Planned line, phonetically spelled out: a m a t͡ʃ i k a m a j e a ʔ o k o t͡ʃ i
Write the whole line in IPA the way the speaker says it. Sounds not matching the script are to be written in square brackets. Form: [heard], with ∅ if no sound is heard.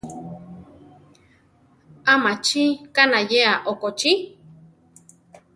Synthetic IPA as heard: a m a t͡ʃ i k a [n] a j e a ʔ o k o t͡ʃ i